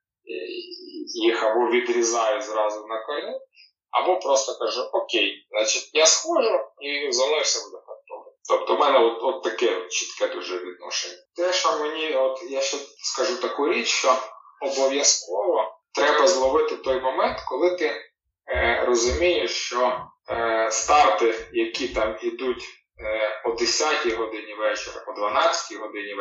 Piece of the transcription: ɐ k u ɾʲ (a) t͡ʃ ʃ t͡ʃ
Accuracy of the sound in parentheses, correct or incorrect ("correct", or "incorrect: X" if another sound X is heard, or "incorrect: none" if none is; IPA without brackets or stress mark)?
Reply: incorrect: i